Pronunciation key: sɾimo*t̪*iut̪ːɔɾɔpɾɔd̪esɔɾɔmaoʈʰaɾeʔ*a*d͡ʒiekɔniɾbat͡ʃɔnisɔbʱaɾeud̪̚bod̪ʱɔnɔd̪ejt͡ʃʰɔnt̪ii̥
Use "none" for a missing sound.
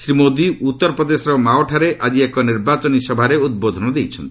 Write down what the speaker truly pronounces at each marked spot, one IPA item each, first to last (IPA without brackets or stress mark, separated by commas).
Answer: d̪, a